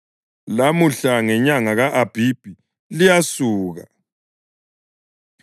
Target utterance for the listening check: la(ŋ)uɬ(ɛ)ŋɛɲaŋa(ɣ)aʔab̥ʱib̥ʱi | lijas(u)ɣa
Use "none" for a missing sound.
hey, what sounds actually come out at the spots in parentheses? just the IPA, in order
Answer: m, a, ɣ, uː

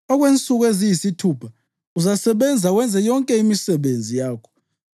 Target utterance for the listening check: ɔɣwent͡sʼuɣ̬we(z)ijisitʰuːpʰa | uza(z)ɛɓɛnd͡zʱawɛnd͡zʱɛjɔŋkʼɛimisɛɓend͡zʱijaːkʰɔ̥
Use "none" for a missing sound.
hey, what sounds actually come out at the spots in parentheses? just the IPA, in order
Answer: z, s

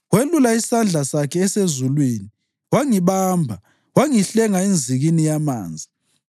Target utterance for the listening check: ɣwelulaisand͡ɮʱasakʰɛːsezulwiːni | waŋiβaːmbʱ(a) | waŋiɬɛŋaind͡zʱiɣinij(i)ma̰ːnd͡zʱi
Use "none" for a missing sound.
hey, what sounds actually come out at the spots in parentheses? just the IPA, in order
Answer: a, a

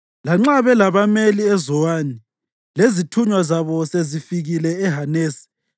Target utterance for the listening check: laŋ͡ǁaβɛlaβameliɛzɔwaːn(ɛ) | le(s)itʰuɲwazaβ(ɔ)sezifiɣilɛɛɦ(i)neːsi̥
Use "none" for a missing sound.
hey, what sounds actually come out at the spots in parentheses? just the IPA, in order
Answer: i, z, ɔ, a

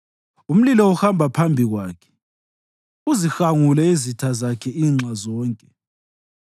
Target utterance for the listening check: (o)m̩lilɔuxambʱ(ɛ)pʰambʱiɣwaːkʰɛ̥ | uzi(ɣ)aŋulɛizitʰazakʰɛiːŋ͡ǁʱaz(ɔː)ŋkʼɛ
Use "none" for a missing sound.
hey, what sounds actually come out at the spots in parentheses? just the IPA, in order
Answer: u, a, x, ɔː

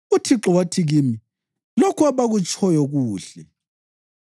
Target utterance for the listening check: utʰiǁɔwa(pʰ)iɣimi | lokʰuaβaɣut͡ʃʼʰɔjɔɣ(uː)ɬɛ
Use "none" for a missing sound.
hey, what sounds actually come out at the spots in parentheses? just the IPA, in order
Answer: tʰ, uː

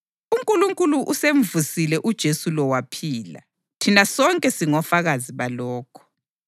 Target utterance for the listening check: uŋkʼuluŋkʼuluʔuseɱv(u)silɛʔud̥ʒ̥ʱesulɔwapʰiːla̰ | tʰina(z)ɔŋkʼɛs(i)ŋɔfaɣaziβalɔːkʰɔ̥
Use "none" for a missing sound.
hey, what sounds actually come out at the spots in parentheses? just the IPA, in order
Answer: u, s, i

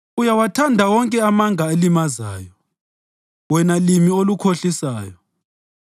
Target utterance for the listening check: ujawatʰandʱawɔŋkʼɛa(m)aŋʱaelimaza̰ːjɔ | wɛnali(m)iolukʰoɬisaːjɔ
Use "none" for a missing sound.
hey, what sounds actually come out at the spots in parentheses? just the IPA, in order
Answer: m, m

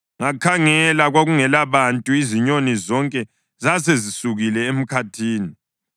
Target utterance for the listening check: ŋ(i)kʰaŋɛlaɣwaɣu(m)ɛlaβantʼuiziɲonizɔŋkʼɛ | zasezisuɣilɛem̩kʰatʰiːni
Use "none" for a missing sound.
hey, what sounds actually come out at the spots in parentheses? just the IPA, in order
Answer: a, ŋ

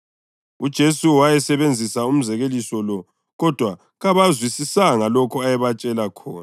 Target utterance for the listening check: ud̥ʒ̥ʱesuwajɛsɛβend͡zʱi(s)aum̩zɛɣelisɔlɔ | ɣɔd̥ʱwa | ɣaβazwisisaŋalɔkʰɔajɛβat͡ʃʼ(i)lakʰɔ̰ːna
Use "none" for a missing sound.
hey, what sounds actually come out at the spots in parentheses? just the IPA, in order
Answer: s, ɛ

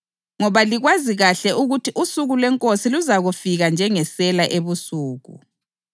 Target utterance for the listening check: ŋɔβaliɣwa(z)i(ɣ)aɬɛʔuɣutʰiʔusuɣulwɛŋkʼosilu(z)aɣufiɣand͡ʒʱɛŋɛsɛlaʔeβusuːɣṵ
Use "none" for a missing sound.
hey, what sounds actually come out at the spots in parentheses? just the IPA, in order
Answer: z, ɣ, z

